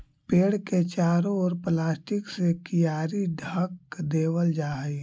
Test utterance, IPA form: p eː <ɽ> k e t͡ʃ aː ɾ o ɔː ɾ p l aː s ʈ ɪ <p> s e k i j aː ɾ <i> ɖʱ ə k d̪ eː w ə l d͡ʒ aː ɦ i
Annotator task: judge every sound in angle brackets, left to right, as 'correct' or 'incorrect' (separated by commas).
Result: correct, incorrect, correct